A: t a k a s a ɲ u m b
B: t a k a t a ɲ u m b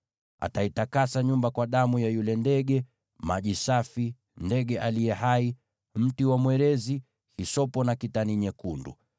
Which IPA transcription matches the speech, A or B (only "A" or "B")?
A